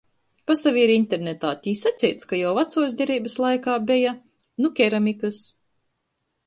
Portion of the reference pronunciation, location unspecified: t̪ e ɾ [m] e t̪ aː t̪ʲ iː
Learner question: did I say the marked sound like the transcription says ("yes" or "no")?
no